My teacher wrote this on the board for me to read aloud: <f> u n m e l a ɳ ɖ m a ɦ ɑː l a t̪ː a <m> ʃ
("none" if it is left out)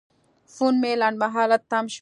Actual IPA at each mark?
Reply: f, m

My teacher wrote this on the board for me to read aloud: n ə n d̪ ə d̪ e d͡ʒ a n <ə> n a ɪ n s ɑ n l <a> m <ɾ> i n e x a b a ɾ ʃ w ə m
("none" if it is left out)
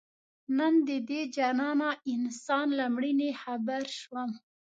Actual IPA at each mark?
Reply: ɑ, a, ɽ

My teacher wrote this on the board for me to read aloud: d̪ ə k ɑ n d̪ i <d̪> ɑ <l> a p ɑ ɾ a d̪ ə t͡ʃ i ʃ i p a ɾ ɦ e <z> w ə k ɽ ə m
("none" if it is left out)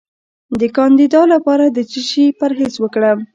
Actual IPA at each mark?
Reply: d̪, l, z

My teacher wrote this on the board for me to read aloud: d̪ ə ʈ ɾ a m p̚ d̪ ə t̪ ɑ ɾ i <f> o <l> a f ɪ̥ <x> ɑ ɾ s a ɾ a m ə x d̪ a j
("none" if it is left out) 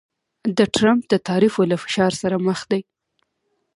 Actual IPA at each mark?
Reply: f, l, ʃ

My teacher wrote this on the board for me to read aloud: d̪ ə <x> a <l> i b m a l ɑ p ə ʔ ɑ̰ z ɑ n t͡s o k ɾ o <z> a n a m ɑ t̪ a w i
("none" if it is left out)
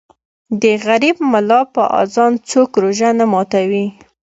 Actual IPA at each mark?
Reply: ɣ, ɾ, ʒ

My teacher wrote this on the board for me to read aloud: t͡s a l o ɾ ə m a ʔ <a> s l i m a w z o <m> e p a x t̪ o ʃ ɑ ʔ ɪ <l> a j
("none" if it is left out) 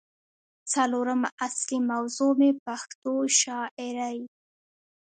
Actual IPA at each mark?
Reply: a, m, ɾ

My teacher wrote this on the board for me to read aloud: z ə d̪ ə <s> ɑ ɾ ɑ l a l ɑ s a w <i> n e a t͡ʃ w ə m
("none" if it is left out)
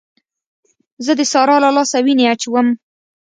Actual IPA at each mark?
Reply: s, i

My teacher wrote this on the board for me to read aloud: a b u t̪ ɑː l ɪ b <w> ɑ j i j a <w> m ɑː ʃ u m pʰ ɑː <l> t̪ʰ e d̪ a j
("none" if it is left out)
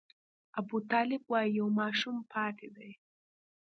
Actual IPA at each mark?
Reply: w, w, none

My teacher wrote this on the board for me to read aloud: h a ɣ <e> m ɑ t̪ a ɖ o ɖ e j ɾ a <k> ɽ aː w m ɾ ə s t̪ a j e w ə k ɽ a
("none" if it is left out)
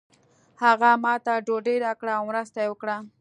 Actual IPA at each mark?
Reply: a, k

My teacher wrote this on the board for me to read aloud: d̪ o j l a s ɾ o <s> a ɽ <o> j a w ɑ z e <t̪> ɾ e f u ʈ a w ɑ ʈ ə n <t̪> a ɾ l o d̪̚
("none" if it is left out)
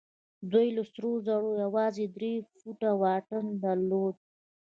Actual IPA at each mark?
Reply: z, o, d̪, d̪

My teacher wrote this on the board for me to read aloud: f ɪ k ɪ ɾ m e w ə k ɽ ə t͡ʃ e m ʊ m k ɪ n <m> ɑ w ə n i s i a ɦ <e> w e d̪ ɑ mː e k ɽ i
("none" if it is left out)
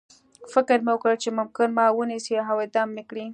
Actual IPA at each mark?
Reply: m, a

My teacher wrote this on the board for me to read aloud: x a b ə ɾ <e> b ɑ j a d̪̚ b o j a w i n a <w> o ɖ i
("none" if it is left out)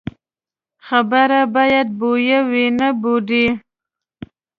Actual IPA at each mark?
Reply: a, b

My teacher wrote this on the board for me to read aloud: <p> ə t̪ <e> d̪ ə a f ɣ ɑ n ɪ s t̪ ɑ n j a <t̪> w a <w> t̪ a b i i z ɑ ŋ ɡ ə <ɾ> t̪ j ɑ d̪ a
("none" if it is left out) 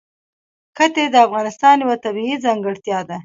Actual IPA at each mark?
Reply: k, e, none, none, ɽ

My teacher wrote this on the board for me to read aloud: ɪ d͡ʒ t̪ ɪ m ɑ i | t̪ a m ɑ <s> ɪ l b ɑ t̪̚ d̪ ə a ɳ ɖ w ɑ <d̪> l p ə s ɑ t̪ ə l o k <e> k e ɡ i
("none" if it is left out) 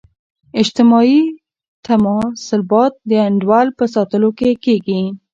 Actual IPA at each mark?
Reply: s, none, e

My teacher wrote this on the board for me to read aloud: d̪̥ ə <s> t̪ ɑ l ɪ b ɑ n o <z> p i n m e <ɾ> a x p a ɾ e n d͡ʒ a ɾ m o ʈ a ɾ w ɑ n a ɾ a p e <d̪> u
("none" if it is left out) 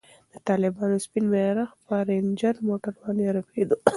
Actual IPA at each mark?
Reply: none, s, ɾ, d̪

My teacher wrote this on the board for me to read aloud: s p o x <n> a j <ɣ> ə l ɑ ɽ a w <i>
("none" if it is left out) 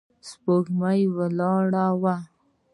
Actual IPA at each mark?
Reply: m, w, a

